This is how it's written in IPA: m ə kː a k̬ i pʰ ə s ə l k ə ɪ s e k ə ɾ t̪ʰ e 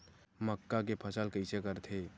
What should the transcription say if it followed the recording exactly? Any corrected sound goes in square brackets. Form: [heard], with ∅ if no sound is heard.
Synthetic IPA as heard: m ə kː a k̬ [e] pʰ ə s ə l k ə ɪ s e k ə ɾ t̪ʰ e

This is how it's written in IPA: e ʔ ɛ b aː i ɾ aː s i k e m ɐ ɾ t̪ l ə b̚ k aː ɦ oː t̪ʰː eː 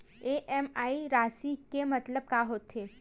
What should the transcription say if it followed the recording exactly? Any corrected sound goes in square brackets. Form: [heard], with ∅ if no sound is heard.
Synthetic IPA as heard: e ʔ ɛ [m] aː i ɾ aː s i k e m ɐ [∅] t̪ l ə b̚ k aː ɦ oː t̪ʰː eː

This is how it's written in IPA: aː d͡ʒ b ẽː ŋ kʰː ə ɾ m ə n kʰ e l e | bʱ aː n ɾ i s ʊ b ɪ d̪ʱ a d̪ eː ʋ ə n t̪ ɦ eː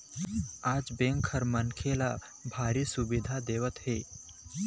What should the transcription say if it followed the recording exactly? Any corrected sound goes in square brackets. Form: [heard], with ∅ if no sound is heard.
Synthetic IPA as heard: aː d͡ʒ b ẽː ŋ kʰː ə ɾ m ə n kʰ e l [a] | bʱ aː [∅] ɾ i s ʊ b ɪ d̪ʱ a d̪ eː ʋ ə [∅] t̪ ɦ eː

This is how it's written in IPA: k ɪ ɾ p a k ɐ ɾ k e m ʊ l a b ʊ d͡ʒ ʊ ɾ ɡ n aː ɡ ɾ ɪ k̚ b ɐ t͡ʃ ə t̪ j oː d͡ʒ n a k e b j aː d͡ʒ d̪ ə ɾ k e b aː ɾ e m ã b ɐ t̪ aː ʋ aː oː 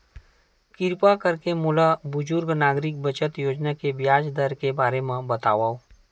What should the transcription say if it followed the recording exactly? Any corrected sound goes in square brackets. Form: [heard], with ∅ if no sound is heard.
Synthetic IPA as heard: k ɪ ɾ p a k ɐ ɾ k e m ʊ l a b ʊ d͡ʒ ʊ ɾ ɡ n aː ɡ ɾ ɪ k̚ b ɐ t͡ʃ ə t̪ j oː d͡ʒ n a k e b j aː d͡ʒ d̪ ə ɾ k e b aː ɾ e m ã b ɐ t̪ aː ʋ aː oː

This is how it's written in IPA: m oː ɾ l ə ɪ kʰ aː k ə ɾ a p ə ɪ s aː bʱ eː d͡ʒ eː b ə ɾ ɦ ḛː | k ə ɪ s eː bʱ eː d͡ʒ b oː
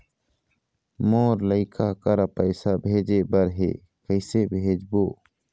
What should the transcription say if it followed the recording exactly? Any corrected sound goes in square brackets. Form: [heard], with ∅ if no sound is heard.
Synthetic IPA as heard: m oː ɾ l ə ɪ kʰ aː k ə ɾ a p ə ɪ s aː bʱ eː d͡ʒ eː b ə ɾ ɦ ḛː | k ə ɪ s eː bʱ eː d͡ʒ b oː

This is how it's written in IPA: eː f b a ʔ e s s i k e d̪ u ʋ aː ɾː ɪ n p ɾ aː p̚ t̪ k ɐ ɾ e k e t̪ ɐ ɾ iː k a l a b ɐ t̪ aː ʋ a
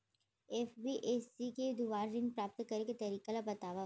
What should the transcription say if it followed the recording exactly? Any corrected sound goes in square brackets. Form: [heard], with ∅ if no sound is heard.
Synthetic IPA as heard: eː f b [i] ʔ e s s i k e d̪ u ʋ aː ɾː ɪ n p ɾ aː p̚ t̪ k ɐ ɾ e k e t̪ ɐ ɾ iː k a l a b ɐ t̪ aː ʋ a

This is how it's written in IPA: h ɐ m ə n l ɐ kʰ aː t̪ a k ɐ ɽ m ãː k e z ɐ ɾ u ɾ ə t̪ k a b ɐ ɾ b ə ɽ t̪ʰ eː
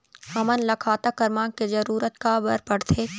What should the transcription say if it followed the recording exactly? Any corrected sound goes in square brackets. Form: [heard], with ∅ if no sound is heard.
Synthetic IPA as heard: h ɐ m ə n l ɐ kʰ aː t̪ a k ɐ [ɾ] m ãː k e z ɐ ɾ [uː] ɾ ə t̪ k a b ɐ ɾ [p] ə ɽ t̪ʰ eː

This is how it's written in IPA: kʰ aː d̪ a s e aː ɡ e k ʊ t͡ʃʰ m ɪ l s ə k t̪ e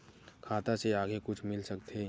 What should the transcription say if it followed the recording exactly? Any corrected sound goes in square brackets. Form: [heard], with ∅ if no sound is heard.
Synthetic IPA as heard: kʰ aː [t̪] a s e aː ɡ e k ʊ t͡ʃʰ m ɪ l s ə k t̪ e

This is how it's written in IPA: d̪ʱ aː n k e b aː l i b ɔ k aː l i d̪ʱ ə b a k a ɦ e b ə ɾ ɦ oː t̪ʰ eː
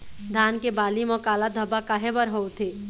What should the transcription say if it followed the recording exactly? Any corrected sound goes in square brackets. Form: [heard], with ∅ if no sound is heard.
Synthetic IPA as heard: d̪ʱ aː n k e b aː l i [m] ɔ k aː l [a] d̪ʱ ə b a k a ɦ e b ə ɾ ɦ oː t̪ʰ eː

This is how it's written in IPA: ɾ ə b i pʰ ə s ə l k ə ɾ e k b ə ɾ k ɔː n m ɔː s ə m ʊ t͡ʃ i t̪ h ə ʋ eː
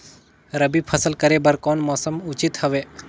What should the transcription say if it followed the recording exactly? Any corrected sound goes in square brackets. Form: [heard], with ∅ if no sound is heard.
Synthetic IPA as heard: ɾ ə b i pʰ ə s ə l k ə ɾ e [∅] b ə ɾ k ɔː n m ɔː s ə m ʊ t͡ʃ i t̪ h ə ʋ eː

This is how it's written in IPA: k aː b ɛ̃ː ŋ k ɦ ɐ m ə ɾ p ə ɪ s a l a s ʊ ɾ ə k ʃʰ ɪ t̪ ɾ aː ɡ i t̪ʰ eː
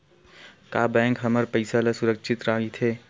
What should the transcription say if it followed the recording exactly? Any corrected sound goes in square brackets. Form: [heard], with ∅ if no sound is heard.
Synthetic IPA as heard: k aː b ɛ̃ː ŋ k ɦ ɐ m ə ɾ p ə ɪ s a l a s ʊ ɾ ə k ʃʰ ɪ t̪ ɾ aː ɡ i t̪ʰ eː

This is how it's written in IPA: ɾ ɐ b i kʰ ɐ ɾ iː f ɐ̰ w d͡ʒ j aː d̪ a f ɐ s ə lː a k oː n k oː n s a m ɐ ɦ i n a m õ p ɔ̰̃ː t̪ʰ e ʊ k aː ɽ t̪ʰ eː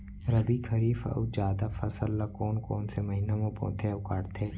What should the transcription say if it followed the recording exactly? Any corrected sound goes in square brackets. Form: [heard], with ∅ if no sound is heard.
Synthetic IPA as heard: ɾ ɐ b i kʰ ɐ ɾ iː f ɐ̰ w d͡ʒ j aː d̪ a f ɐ s ə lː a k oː n k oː n s [e] m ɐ ɦ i n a m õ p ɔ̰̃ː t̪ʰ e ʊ k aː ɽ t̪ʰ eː

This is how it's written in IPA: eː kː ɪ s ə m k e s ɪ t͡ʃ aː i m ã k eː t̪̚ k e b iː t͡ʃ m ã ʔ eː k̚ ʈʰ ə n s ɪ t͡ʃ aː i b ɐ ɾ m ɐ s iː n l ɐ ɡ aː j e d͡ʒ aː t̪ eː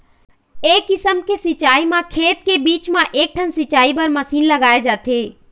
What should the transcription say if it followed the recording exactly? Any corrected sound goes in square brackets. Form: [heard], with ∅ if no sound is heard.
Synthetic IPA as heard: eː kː ɪ s ə m k e s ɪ t͡ʃ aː i m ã [kʰ] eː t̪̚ k e b iː t͡ʃ m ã ʔ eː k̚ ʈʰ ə n s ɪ t͡ʃ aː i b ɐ ɾ m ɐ s iː n l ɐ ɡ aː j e d͡ʒ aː t̪ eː

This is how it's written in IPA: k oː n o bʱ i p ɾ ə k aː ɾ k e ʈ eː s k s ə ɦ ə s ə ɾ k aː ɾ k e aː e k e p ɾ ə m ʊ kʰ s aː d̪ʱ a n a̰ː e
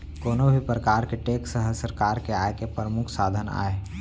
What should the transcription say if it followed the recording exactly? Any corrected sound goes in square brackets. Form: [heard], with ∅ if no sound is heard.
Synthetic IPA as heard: k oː n o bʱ i p ɾ ə k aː ɾ k e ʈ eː [∅] k s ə ɦ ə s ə ɾ k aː ɾ k e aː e k e p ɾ ə m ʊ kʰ s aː d̪ʱ [ə] n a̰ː e

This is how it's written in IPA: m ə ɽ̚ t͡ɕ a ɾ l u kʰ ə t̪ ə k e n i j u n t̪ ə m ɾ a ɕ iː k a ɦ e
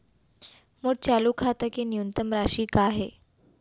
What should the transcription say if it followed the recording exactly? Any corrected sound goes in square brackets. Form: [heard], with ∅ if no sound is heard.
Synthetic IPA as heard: m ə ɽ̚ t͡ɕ a [∅] l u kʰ [a] t̪ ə k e n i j u n t̪ ə m ɾ a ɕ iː k a ɦ e

